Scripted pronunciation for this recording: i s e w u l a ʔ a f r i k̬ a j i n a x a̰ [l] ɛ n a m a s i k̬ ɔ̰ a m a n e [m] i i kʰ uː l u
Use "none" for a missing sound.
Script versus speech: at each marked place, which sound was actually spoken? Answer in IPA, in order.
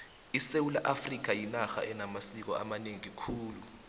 none, ŋ

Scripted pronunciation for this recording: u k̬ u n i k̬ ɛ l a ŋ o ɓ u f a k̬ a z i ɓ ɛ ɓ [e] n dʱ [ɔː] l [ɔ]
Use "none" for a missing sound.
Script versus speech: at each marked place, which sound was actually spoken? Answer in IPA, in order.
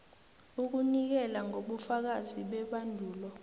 a, uː, ɔ

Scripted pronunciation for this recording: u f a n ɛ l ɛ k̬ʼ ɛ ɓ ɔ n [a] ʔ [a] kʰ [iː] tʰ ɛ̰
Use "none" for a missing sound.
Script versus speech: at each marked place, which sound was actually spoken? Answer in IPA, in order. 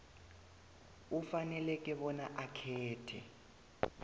a, a, ɛː

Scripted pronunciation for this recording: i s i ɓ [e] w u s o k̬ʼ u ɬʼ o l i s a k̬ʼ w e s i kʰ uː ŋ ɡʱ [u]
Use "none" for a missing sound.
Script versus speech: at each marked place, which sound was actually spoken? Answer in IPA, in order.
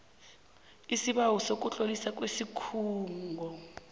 a, ɔ

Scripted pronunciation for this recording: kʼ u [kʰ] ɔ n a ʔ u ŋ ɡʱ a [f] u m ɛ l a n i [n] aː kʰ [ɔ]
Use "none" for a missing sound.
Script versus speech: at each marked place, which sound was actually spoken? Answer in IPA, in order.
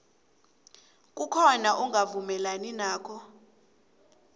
kʰ, v, n, ɔ

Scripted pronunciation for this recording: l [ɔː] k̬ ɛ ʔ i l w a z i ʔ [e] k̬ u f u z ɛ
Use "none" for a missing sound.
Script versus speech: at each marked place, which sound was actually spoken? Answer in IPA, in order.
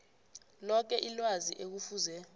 ɔ, e

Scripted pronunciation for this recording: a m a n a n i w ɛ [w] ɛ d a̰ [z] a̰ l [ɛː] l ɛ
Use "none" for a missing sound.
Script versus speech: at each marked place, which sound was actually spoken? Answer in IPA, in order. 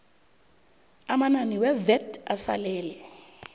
v, s, ɛː

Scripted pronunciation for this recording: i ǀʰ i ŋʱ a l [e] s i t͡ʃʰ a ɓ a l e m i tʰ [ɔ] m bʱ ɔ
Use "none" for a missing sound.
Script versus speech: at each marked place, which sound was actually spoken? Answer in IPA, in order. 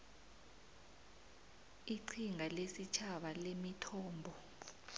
e, ɔː

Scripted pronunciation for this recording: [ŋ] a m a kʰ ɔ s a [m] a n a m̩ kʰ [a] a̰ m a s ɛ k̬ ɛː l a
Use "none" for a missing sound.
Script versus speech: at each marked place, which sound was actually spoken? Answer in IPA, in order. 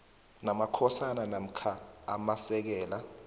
n, n, a

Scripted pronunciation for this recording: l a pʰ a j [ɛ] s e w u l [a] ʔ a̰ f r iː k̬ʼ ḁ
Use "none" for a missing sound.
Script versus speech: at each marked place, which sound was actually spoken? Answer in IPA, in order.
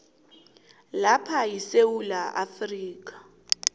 i, a

